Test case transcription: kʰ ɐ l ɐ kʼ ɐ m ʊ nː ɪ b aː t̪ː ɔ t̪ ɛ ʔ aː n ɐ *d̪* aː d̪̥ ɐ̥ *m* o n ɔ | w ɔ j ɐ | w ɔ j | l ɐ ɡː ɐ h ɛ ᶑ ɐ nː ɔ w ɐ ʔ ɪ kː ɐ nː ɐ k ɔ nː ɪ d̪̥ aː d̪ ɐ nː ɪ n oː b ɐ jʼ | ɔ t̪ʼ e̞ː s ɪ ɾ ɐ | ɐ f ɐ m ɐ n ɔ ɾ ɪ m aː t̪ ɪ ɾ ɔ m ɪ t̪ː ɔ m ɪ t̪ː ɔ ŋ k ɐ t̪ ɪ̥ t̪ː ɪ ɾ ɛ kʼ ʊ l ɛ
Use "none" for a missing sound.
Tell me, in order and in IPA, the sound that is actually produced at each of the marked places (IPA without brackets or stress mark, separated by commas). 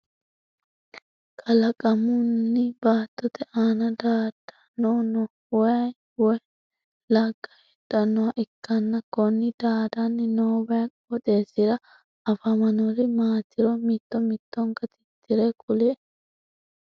d̪, n